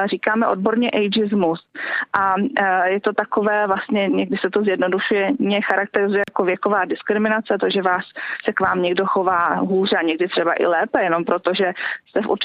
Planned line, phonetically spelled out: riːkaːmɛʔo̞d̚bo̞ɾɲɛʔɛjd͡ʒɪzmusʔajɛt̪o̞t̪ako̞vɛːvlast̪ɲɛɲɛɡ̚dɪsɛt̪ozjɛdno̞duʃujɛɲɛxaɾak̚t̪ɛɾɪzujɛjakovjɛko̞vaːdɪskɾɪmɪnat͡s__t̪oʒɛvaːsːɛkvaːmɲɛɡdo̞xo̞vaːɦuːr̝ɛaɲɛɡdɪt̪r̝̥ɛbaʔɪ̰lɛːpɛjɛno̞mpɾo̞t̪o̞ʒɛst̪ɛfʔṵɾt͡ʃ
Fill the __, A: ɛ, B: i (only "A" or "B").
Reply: A